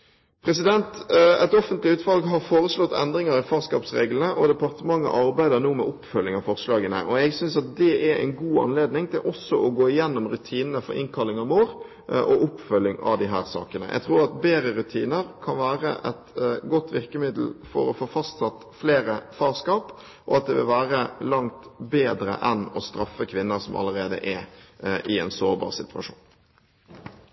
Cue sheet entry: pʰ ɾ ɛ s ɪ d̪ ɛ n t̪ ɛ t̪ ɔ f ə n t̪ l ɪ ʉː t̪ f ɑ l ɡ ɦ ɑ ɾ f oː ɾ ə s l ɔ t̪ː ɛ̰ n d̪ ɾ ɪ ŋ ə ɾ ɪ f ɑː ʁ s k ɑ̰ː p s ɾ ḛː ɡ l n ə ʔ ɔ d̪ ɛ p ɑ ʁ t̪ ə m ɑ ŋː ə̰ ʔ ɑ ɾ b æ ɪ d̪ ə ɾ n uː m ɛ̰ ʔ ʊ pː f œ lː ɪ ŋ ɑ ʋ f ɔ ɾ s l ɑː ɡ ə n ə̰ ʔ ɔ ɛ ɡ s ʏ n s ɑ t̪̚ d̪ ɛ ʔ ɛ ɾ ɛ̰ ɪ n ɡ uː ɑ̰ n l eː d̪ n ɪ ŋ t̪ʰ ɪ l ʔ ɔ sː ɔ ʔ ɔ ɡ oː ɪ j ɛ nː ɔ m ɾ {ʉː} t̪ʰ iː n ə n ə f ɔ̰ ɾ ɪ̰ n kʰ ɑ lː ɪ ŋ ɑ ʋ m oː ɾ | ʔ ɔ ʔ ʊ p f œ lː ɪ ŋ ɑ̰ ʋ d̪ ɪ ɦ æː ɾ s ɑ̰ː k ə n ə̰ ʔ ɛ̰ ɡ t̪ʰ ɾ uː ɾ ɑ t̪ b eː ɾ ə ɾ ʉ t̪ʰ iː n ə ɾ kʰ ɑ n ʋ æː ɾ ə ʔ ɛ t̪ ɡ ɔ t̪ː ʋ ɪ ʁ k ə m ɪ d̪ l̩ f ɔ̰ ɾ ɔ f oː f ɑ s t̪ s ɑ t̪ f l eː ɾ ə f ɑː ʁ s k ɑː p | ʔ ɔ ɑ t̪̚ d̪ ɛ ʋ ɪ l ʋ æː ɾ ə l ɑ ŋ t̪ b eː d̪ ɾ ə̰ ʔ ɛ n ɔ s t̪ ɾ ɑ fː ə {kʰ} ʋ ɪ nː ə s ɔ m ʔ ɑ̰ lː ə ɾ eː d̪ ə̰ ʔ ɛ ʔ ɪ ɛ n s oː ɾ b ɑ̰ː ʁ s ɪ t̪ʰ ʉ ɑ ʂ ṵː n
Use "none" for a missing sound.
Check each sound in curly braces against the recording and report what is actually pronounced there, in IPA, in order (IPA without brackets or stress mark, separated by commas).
ʉ, kʰ